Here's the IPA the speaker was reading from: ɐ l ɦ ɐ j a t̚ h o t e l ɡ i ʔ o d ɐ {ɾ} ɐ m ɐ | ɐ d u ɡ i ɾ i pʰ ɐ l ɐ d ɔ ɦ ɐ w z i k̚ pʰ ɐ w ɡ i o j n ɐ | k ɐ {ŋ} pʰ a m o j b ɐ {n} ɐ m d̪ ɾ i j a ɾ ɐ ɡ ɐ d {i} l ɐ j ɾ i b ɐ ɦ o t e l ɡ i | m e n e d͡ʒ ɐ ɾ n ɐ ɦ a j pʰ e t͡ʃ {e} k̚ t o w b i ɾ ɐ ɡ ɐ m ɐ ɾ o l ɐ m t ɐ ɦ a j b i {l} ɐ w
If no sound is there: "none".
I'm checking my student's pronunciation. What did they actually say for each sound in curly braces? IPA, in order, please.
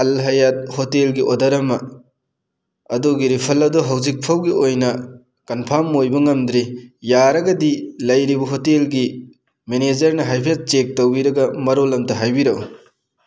ɾ, n, ŋ, i, e, ɾ

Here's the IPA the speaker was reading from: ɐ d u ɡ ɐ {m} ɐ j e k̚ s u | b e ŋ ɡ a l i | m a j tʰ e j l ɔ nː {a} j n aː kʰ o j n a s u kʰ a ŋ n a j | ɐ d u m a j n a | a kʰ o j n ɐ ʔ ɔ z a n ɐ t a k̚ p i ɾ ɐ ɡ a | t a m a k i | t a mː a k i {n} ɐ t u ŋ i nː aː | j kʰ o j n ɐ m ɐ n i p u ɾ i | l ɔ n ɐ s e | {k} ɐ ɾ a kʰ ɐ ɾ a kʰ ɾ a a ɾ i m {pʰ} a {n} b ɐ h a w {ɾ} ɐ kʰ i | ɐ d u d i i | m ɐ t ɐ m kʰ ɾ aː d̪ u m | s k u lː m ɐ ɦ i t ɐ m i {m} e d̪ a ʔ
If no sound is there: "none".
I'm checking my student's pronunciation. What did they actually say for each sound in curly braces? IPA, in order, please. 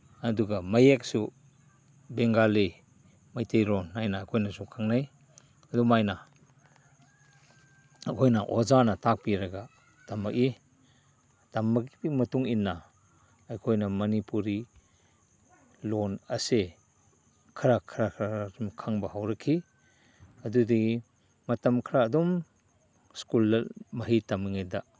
m, a, m, kʰ, kʰ, ŋ, ɾ, ŋ

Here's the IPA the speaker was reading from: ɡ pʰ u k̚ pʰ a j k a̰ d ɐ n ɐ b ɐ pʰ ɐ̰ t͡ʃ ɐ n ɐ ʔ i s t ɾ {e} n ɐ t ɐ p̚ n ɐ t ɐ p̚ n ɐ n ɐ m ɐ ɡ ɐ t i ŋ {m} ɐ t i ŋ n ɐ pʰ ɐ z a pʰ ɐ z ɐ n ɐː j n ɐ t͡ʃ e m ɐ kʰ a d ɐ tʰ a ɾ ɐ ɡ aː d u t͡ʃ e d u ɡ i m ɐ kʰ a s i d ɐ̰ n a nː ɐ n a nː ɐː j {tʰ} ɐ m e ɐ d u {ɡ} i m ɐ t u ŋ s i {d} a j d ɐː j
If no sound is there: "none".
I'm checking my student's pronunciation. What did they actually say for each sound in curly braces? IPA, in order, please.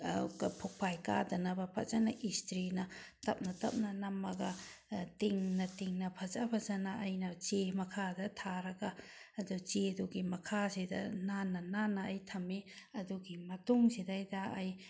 i, n, tʰ, ɡ, d

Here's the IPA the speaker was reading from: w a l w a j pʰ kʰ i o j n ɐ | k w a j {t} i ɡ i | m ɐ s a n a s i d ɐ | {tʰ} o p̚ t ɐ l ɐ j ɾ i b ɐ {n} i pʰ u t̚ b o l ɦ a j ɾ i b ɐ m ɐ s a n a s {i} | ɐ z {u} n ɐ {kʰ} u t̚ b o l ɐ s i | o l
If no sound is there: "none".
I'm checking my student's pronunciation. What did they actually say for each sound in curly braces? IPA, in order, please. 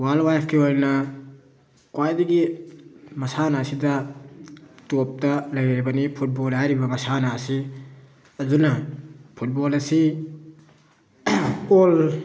d, t, n, i, u, pʰ

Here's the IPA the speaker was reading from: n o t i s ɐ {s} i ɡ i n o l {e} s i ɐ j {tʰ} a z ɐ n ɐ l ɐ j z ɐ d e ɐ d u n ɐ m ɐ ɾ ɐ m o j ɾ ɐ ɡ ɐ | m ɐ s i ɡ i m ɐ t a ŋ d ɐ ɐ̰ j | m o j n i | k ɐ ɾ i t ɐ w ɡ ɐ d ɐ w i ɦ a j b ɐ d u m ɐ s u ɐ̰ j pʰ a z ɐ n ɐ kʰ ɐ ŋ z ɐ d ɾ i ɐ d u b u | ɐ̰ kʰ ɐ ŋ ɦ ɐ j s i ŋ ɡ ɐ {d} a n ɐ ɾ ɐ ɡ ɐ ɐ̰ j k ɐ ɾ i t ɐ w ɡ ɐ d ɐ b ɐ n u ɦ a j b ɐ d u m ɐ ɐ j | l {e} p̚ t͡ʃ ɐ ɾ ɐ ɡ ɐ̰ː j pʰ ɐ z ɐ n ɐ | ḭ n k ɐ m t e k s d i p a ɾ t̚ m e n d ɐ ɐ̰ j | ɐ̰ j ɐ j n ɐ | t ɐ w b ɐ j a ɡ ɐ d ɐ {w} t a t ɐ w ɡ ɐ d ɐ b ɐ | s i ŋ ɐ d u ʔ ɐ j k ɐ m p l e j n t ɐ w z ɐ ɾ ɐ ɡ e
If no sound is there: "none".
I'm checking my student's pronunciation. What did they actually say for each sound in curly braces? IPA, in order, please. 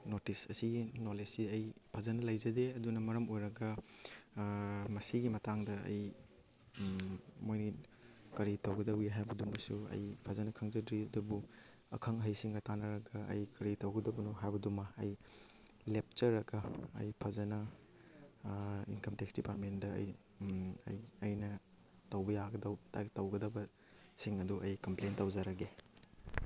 s, e, pʰ, t, e, w

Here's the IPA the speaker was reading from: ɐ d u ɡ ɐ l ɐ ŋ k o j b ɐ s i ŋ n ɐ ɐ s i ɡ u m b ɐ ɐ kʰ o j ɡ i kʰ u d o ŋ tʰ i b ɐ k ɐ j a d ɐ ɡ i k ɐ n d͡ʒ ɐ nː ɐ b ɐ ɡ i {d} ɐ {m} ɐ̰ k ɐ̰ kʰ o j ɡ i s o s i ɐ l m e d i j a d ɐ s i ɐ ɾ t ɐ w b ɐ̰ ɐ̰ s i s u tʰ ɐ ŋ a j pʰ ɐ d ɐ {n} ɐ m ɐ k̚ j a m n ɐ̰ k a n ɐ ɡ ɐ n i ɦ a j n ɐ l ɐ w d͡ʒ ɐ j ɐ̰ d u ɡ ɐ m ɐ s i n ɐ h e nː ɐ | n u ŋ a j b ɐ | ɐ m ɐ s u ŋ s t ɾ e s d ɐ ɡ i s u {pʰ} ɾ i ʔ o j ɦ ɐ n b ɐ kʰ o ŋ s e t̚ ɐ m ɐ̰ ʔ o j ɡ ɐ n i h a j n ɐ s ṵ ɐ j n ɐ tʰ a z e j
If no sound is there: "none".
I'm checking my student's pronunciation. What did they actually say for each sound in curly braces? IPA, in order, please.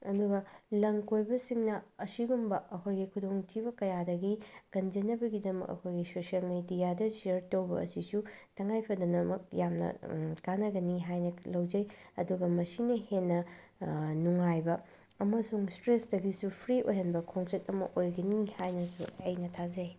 d, m, n, pʰ

